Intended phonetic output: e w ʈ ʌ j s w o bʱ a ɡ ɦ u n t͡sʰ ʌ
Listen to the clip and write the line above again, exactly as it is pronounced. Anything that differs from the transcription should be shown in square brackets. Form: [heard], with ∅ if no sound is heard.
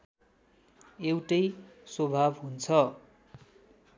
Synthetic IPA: e w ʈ ʌ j s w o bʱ a [b] ɦ u n t͡sʰ ʌ